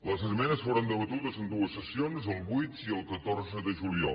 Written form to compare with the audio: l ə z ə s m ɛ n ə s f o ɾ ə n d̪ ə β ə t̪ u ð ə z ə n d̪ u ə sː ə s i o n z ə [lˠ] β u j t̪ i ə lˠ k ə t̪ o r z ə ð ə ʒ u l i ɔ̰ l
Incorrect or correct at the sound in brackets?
correct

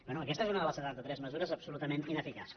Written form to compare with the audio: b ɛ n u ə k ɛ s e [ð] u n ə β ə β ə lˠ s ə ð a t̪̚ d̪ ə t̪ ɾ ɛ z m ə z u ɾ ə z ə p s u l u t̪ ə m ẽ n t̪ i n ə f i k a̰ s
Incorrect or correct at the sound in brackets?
incorrect: z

